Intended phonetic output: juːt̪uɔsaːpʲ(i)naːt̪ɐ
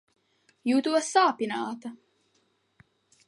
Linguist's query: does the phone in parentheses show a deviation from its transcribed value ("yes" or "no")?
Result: no